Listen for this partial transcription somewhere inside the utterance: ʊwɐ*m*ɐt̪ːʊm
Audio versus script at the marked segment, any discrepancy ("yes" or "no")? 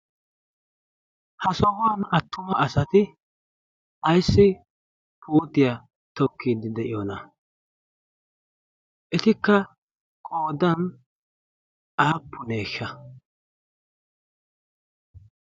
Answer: yes